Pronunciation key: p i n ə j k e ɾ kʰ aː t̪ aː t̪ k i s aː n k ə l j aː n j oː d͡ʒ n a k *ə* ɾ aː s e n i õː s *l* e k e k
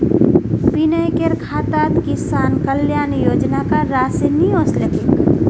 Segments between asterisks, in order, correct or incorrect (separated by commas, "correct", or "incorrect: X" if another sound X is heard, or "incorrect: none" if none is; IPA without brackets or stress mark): incorrect: a, correct